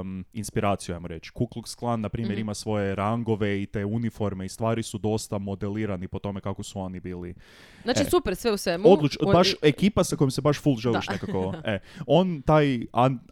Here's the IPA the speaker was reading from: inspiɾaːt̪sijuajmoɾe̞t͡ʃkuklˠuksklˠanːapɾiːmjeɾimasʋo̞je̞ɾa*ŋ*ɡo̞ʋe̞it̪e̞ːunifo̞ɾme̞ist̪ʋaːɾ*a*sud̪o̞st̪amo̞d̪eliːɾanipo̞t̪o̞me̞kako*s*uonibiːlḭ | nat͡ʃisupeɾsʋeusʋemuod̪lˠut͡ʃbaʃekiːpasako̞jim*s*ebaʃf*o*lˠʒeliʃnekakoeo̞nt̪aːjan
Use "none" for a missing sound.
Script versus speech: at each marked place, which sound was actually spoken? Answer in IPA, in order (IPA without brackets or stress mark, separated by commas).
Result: ŋ, i, s, s, u